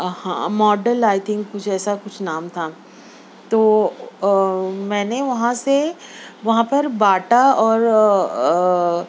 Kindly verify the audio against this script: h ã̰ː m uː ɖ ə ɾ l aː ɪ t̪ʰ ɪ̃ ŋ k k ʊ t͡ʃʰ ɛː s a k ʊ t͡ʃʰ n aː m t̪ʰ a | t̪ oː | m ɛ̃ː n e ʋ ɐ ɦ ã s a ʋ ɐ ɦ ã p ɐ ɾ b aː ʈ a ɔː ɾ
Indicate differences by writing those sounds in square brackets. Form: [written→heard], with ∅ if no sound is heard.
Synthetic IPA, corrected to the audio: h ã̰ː m [uː→ɔː] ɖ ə [ɾ→∅] l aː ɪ t̪ʰ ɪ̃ ŋ k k ʊ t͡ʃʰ ɛː s a k ʊ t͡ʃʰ n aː m t̪ʰ a | t̪ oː | m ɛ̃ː n e ʋ ɐ ɦ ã s [a→e] ʋ ɐ ɦ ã p ɐ ɾ b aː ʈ a ɔː ɾ